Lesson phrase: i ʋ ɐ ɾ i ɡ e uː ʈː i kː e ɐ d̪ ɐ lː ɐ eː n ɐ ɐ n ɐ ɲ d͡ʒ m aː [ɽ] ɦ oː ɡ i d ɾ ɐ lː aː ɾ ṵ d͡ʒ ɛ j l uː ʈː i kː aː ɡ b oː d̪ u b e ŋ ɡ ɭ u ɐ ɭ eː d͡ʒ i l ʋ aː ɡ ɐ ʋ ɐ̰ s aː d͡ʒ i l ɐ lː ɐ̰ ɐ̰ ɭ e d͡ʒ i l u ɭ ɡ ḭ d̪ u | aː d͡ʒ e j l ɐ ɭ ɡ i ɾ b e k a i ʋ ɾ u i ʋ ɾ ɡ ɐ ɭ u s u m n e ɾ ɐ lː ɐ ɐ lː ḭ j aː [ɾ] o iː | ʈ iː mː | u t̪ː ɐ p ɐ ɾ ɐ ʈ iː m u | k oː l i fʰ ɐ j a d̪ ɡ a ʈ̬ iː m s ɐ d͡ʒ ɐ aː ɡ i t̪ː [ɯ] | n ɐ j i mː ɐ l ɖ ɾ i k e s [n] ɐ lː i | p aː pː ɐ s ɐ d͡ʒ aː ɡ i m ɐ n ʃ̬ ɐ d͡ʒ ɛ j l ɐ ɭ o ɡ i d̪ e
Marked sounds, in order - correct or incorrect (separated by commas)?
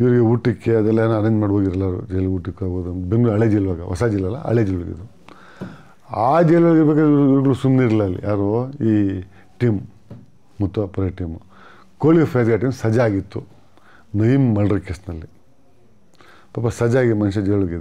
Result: correct, correct, incorrect, correct